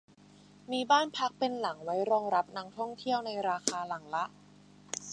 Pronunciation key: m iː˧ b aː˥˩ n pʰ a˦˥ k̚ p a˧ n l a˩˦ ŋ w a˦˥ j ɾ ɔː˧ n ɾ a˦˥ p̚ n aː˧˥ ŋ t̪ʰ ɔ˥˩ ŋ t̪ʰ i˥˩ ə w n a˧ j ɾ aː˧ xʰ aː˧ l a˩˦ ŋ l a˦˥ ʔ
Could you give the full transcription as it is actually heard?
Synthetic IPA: m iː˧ b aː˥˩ n pʰ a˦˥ k̚ p e˧ n l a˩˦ ŋ w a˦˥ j ɾ ɔː˧ ŋ ɾ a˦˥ p̚ n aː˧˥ ŋ t̪ʰ ɔ˥˩ ŋ t̪ʰ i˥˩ ə w n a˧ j ɾ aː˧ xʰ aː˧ l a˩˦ ŋ l a˦˥ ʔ

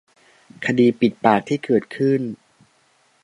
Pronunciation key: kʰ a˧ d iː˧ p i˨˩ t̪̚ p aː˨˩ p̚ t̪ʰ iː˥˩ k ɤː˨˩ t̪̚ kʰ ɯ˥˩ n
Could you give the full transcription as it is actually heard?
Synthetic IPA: kʰ a˧ d iː˧ p i˨˩ t̪̚ p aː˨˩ k̚ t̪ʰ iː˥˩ k ɤː˨˩ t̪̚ kʰ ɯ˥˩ n

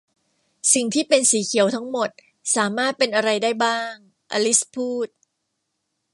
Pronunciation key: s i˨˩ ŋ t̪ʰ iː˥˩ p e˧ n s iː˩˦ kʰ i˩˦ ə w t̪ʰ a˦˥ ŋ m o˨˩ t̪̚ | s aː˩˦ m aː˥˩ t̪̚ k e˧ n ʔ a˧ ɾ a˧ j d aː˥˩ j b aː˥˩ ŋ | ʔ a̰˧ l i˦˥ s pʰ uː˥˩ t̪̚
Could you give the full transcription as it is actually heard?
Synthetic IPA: s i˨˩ ŋ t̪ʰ iː˥˩ p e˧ n s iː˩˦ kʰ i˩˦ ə w t̪ʰ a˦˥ ŋ m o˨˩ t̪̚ | s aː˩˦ m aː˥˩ t̪̚ p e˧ n ʔ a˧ ɾ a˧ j d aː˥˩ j b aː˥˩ ŋ | ʔ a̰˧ l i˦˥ s pʰ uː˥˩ t̪̚

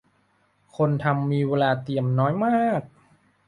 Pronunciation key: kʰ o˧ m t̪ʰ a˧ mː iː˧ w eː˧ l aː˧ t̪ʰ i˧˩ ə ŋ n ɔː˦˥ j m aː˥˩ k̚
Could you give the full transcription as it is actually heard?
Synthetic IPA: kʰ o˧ n t̪ʰ a˧ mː iː˧ w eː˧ l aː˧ t̪ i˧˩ ə m n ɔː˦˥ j m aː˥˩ k̚

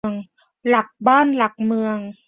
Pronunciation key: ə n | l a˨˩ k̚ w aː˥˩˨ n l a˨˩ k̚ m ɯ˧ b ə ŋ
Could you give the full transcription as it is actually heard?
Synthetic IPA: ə ŋ | l a˨˩ k̚ b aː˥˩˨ n l a˨˩ k̚ m ɯ˧ ə ŋ

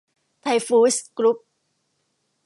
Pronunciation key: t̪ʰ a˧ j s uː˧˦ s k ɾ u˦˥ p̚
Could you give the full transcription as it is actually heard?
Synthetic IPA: t̪ʰ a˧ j f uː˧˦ s k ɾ u˦˥ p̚

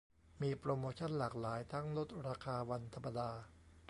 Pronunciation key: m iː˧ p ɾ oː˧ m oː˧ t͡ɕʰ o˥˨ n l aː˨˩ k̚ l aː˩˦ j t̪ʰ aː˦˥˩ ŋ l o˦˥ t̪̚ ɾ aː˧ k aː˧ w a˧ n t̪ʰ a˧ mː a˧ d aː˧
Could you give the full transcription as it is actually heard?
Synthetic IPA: m iː˧ p ɾ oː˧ m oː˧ t͡ɕʰ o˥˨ n l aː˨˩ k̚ l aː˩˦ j t̪ʰ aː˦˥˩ ŋ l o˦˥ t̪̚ ɾ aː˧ kʰ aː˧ w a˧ n t̪ʰ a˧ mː a˧ d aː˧

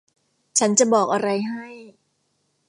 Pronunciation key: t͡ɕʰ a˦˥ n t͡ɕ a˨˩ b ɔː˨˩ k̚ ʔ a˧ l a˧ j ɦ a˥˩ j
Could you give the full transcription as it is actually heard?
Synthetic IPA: t͡ɕʰ a˦˥ n t͡ɕ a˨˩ b ɔː˨˩ k̚ ʔ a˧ ɾ a˧ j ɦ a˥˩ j

